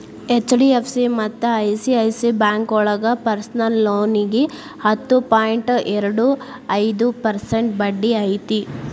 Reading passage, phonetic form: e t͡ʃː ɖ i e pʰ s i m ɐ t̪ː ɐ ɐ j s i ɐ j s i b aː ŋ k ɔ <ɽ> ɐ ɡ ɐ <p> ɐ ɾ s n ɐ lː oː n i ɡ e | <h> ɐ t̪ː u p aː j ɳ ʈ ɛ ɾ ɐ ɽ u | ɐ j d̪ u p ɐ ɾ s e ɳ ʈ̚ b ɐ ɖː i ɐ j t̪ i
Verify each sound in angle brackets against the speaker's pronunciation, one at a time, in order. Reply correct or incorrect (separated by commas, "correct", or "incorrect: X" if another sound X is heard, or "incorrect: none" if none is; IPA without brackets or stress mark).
incorrect: ɭ, correct, correct